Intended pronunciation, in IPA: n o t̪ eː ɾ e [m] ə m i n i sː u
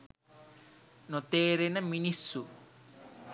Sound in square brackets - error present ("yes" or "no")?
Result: yes